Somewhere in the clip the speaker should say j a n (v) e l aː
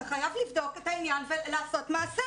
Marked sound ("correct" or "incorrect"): correct